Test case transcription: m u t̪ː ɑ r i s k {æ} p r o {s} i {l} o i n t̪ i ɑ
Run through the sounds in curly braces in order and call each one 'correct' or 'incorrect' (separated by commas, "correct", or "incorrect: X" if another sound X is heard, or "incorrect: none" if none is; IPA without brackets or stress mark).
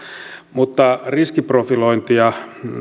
incorrect: i, incorrect: f, correct